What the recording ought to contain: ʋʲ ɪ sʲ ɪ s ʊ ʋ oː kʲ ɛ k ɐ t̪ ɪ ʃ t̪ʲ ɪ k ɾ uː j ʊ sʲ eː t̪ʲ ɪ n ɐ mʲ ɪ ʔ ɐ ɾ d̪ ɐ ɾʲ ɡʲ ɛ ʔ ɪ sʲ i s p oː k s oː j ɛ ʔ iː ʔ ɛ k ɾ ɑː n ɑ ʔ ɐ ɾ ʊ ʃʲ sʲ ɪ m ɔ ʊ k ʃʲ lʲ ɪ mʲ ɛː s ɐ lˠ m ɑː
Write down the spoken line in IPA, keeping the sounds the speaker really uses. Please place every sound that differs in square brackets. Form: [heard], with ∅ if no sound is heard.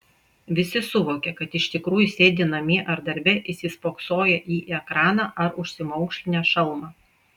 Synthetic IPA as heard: ʋʲ ɪ sʲ ɪ s ʊ ʋ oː kʲ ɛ k ɐ t̪ ɪ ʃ t̪ʲ ɪ k ɾ uː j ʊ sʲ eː [d̪ʲ] ɪ n ɐ mʲ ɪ ʔ ɐ ɾ d̪ ɐ ɾʲ [bʲ] ɛ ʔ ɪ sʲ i s p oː k s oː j ɛ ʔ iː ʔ ɛ k ɾ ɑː n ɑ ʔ ɐ ɾ ʊ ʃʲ sʲ ɪ m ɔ ʊ k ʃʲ lʲ ɪ [nʲ] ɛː [ʃ] ɐ lˠ m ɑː